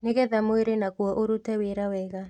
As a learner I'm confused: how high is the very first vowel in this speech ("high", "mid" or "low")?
mid